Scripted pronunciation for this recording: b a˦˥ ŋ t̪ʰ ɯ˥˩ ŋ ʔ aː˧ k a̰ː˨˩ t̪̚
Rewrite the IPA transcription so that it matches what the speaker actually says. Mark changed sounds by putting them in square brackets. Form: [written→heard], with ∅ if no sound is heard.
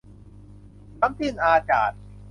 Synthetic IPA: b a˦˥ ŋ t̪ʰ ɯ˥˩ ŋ ʔ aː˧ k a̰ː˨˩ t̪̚

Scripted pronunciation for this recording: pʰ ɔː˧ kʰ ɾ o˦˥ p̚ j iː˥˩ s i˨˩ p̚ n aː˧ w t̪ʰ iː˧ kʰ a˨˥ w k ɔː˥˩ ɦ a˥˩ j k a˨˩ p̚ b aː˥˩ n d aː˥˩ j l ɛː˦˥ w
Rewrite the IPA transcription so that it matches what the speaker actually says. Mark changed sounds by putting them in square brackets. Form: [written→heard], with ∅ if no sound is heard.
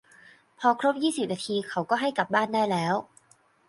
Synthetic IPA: pʰ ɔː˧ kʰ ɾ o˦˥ p̚ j iː˥˩ s i˨˩ p̚ n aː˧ [w→∅] t̪ʰ iː˧ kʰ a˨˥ w k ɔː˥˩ ɦ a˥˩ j k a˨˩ p̚ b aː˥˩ n d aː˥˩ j l ɛː˦˥ w

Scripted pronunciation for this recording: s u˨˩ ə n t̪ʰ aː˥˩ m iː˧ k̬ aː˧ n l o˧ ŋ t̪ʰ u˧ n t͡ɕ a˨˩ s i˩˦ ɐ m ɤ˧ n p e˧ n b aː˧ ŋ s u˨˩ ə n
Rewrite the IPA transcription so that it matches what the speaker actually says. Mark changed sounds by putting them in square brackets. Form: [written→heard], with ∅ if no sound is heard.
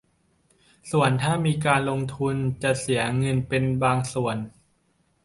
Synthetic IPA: s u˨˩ ə n t̪ʰ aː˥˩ m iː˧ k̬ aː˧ n l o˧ ŋ t̪ʰ u˧ n t͡ɕ a˨˩ s i˩˦ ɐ [m→ŋ] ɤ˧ n p e˧ n b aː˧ ŋ s u˨˩ ə n

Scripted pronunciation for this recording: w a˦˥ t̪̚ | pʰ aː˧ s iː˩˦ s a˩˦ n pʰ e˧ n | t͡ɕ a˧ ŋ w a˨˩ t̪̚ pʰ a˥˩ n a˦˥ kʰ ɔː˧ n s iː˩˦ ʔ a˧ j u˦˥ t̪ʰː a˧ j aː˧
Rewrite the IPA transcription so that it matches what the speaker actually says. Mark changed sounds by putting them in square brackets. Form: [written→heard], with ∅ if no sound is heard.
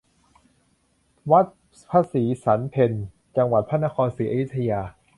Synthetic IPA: w a˦˥ t̪̚ | pʰ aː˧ s iː˩˦ s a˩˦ n pʰ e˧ n | t͡ɕ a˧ ŋ w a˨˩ t̪̚ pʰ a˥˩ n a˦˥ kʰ ɔː˧ n s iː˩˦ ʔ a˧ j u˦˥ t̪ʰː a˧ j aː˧

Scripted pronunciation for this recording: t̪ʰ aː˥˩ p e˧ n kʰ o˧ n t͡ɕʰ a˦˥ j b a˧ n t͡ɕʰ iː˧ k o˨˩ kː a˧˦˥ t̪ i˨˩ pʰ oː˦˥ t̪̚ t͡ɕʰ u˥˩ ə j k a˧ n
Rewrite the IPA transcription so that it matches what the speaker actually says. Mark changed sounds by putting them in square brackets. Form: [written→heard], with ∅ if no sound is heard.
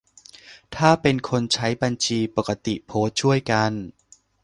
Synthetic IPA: t̪ʰ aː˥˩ p e˧ n kʰ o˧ n t͡ɕʰ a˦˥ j b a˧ n t͡ɕʰ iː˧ [k→p] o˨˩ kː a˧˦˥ t̪ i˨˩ pʰ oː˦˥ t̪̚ t͡ɕʰ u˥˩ ə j k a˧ n

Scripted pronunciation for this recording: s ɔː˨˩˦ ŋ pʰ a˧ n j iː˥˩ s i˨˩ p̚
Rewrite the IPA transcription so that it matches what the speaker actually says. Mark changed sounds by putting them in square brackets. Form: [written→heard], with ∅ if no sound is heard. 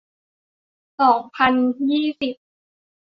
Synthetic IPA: s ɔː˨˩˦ ŋ pʰ a˧ n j iː˥˩ s i˨˩ p̚

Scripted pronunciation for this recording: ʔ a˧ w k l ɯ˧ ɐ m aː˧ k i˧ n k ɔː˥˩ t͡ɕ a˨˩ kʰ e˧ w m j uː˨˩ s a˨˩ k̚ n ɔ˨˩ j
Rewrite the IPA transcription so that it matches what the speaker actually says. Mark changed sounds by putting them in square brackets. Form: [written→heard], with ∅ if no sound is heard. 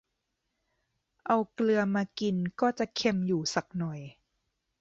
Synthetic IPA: ʔ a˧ w k l ɯ˧ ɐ m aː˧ k i˧ n k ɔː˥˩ t͡ɕ a˨˩ kʰ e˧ [w→∅] m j uː˨˩ s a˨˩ k̚ n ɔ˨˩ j

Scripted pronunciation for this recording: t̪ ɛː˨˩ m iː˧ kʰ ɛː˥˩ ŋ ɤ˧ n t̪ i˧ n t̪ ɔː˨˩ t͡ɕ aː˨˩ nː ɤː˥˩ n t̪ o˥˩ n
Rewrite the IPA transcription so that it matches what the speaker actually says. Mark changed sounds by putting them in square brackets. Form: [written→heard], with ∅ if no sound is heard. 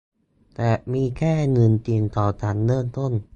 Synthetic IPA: t̪ ɛː˨˩ m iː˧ kʰ ɛː˥˩ ŋ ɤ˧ n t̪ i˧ n t̪ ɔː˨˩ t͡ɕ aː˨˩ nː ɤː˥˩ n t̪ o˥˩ n

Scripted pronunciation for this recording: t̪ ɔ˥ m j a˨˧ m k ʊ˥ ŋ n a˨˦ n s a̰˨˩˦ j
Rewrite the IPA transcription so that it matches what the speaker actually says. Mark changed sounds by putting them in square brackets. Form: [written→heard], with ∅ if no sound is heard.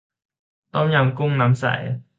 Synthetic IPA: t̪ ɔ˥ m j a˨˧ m k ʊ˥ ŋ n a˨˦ [n→m] s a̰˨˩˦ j

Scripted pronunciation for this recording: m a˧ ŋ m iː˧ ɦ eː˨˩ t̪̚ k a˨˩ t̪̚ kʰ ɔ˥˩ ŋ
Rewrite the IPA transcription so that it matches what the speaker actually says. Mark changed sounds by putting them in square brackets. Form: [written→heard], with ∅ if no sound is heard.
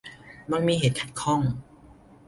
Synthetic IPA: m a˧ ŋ m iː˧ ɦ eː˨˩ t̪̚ [k→kʰ] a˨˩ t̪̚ kʰ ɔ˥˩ ŋ

